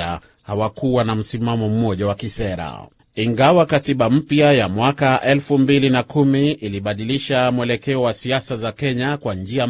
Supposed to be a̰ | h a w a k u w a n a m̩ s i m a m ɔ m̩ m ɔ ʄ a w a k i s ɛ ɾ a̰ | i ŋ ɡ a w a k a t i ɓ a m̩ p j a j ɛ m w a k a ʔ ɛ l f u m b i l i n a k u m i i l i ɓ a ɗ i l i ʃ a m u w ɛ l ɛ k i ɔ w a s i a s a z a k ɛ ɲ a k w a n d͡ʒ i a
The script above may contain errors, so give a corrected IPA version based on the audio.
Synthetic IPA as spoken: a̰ | h a w a k u w a n a m̩ s i m a m ɔ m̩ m ɔ ʄ a w a k i s ɛ ɾ a̰ | i ŋ ɡ a w a k a t i ɓ a m̩ p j a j a m w a k a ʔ ɛ l f u m b i l i n a k u m i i l i ɓ a ɗ i l i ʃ a m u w ɛ l ɛ k ɛ ɔ w a s i a s a z a k ɛ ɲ a k w a n d͡ʒ i a